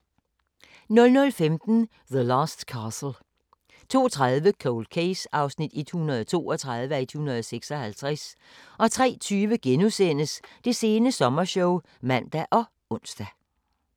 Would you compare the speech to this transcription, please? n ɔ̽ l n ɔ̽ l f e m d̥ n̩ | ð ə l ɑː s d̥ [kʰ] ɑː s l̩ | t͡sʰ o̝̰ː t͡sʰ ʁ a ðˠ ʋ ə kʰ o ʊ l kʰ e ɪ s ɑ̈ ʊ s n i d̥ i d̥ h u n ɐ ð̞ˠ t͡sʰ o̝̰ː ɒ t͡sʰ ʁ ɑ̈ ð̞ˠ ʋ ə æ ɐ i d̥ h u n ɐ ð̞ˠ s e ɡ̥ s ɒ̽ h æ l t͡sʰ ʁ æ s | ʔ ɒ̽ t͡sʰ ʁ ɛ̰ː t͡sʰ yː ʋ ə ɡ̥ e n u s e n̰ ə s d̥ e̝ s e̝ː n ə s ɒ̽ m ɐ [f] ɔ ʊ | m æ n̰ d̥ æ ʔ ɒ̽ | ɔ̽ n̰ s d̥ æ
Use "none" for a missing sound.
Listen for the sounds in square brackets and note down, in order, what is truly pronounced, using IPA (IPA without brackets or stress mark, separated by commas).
kʰ, ɕ